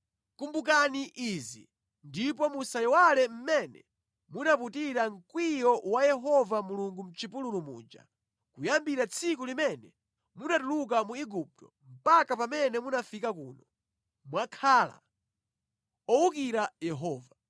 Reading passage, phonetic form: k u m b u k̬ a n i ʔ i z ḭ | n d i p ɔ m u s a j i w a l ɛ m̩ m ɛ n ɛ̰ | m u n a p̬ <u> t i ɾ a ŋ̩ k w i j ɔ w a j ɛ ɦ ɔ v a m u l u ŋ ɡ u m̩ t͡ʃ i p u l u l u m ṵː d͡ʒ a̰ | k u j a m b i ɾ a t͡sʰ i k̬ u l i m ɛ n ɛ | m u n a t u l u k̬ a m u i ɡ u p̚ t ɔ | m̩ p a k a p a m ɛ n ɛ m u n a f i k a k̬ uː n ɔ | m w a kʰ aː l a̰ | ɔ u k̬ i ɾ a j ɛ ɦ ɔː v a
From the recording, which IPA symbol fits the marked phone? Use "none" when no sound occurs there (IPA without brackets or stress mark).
u